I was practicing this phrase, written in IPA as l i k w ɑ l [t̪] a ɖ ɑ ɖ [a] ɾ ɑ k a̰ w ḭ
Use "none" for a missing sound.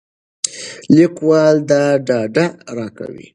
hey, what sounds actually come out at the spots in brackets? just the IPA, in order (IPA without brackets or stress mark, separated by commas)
d̪, a